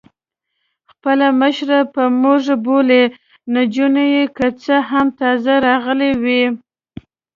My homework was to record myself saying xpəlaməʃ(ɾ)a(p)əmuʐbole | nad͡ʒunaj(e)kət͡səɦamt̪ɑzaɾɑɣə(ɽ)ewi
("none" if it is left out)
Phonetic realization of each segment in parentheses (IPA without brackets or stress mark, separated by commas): ɾ, p, e, l